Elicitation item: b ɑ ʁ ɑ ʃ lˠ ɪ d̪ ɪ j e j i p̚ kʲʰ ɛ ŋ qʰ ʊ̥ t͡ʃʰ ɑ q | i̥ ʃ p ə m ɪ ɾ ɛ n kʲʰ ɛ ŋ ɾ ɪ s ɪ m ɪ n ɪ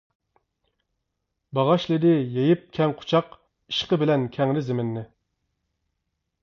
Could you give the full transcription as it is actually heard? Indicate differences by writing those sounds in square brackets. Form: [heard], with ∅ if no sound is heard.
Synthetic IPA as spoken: b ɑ ʁ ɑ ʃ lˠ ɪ d̪ ɪ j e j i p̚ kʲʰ ɛ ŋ qʰ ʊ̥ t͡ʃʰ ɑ q | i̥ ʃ [q] ə [b] ɪ [l] ɛ n kʲʰ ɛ ŋ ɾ ɪ [z] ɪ m ɪ [nː] ɪ